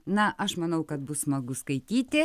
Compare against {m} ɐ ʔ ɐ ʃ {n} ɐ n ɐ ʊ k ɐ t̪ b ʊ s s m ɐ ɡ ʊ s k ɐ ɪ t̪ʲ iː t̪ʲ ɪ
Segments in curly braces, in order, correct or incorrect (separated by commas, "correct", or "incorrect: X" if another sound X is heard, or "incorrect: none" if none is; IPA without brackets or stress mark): incorrect: n, incorrect: m